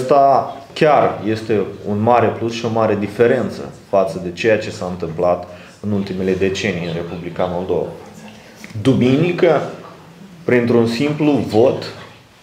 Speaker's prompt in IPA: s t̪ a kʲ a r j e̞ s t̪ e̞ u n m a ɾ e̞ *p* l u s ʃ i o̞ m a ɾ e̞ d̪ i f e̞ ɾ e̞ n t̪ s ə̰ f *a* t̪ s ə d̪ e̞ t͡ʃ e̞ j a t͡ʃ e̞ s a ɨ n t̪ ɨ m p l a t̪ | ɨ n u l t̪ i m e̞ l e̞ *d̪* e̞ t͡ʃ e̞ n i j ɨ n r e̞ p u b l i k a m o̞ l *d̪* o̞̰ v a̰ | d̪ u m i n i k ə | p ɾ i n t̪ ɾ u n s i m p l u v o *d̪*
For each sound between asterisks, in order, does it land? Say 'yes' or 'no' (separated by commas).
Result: yes, yes, yes, yes, no